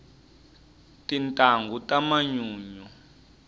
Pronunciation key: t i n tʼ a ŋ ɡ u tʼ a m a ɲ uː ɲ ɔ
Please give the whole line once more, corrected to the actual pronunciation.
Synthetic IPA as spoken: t i n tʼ a ŋ ɡ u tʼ a m a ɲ uː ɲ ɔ